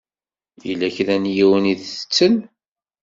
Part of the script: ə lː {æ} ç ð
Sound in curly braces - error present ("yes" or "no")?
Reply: no